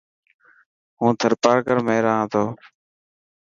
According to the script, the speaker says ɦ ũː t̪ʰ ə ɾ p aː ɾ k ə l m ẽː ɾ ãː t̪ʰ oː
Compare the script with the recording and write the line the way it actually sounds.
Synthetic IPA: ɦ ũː t̪ʰ ə ɾ p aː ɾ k ə ɾ m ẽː ɾ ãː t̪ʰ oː